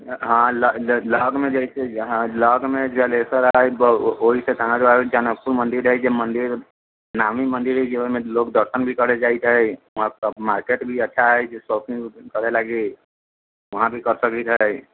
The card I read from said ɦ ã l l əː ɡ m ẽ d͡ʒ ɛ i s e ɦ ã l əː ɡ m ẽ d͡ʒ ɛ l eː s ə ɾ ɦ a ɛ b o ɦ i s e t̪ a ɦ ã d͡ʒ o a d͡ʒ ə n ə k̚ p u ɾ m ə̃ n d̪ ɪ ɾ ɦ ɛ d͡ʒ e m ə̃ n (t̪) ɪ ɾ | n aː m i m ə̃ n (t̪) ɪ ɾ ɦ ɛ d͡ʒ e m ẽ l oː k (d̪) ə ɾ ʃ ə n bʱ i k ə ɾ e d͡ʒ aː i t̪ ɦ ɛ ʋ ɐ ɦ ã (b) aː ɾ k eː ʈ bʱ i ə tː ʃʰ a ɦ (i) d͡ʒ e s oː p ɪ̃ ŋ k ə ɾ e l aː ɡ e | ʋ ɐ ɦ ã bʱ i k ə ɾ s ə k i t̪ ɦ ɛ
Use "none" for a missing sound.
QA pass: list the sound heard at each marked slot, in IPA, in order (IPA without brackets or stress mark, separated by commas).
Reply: d̪, d̪, d̪, m, ɛ